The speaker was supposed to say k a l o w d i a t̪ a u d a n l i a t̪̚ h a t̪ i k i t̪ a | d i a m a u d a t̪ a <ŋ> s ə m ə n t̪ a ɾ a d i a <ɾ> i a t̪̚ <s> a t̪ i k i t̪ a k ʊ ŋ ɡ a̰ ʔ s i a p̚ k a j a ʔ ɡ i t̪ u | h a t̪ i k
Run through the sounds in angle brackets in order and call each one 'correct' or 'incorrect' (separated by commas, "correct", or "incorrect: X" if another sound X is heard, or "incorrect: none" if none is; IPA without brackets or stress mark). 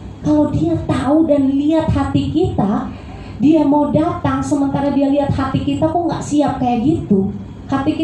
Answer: correct, incorrect: l, incorrect: h